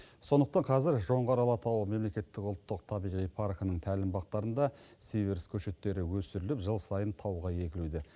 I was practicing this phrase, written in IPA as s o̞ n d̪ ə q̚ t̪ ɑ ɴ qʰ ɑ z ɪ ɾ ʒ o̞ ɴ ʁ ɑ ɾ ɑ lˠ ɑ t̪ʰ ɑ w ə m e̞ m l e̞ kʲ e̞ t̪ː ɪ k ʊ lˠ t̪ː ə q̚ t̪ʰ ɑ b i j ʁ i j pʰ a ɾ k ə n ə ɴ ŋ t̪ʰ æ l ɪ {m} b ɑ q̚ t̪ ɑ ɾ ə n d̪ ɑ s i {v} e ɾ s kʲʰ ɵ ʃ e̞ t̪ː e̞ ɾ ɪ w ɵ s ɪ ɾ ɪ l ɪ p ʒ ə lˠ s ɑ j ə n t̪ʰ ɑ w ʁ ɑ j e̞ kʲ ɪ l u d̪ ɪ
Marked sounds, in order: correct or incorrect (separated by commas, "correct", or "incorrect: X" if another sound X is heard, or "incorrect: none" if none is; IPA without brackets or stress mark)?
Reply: correct, correct